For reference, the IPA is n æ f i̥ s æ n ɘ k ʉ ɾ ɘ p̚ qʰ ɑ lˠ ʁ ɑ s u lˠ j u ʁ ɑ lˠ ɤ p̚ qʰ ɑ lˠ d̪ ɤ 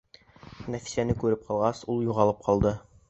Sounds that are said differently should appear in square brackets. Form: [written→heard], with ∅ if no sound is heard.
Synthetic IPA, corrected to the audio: n æ f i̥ s æ n ɘ k ʉ ɾ ɘ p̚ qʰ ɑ lˠ ʁ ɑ s u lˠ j u ʁ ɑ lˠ ɤ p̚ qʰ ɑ lˠ d̪ ɤ